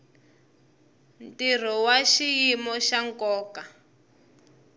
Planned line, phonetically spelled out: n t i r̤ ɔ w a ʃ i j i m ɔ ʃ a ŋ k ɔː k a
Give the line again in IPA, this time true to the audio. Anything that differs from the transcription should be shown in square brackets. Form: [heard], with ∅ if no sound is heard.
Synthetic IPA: n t i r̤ ɔ w a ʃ i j i m ɔ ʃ a ŋ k ɔː k a